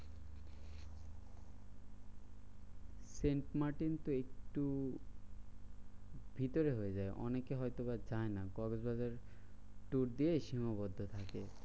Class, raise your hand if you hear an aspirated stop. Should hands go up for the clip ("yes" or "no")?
yes